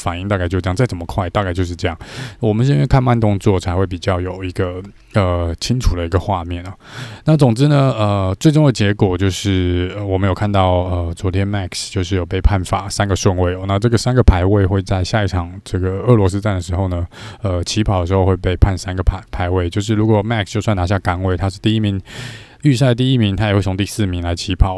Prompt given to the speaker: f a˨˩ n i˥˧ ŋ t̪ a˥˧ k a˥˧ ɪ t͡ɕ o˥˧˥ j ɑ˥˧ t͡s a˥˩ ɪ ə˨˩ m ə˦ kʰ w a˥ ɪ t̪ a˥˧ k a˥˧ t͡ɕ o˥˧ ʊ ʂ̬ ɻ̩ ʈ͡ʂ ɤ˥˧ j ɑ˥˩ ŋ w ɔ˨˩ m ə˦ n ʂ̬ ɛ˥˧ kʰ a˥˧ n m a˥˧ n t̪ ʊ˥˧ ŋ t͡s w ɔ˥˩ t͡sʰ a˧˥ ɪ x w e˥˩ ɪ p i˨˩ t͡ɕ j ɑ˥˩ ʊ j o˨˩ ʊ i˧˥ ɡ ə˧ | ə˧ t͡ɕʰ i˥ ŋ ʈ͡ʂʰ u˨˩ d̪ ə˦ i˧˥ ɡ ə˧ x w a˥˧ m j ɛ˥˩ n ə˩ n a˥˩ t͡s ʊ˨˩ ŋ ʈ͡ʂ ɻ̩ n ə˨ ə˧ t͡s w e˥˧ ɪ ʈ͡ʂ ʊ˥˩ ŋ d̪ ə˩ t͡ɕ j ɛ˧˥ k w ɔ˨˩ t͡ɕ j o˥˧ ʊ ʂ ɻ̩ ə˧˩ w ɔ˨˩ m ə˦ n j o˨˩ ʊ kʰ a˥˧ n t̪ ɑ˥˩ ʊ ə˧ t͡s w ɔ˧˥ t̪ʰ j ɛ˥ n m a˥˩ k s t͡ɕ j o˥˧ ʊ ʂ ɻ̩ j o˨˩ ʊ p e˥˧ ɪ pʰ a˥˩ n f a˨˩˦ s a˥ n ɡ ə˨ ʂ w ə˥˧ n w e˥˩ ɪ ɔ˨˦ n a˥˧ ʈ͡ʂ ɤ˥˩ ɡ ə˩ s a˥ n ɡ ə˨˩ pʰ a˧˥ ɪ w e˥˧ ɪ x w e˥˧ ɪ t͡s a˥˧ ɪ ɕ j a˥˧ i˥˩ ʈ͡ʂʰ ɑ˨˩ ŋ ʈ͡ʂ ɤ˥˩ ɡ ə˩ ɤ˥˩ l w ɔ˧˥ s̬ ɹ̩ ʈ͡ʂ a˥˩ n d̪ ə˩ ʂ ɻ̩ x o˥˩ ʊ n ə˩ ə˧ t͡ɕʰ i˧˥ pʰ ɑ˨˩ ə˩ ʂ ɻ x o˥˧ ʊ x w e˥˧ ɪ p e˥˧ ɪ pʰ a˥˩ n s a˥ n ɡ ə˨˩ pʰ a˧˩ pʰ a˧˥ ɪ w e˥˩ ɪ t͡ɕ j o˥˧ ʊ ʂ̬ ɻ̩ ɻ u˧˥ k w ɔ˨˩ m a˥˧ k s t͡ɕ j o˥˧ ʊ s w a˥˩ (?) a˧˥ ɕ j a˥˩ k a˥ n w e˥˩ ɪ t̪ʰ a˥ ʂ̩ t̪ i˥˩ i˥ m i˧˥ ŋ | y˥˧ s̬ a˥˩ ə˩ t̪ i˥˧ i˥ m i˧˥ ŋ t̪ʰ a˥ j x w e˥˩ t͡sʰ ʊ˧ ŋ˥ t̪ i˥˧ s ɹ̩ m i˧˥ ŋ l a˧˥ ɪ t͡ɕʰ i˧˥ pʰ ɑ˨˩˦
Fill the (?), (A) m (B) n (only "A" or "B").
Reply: B